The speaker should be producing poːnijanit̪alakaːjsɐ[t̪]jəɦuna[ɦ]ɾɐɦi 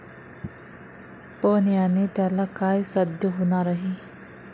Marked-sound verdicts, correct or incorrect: incorrect, incorrect

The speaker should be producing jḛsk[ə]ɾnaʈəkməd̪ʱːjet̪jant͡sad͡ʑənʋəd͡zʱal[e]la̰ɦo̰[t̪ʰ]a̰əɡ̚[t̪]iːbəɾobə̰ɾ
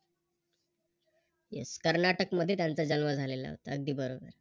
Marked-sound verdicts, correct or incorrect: correct, correct, incorrect, incorrect

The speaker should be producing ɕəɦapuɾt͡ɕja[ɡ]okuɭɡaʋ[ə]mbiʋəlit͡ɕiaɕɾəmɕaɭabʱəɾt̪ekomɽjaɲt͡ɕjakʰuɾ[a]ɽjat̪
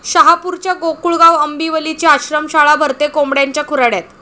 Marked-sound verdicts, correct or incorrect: correct, correct, correct

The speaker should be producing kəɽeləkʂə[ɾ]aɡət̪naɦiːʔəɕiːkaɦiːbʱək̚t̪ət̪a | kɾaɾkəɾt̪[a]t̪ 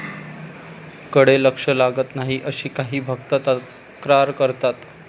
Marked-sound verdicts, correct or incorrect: incorrect, correct

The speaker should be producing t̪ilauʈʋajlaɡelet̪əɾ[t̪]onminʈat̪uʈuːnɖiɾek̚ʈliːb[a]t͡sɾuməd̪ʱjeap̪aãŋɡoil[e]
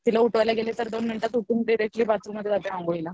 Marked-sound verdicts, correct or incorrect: incorrect, correct, incorrect

